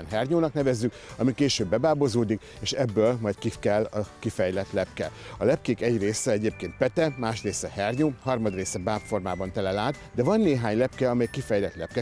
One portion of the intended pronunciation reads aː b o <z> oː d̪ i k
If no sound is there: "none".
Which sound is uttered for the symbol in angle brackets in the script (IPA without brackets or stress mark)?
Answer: z